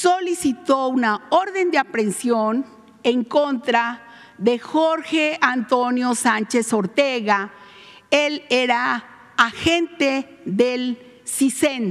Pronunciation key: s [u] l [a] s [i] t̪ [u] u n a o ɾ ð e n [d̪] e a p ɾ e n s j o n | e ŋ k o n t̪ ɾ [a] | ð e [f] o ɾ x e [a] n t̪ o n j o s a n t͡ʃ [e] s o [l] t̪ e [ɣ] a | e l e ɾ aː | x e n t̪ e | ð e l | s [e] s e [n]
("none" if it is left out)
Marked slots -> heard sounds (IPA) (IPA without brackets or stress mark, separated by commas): o, i, i, o, d̪, a, x, a, e, ɾ, ɣ, i, n